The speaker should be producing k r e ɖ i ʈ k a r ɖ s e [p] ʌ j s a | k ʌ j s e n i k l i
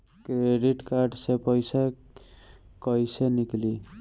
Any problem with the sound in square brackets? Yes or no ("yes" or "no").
no